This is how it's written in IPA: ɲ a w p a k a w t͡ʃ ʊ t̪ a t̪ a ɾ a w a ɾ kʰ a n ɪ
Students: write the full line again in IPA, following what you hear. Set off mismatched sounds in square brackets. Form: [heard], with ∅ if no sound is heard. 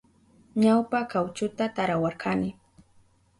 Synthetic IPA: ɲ a w p a k a w t͡ʃ ʊ t̪ a t̪ a ɾ a w a ɾ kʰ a n ɪ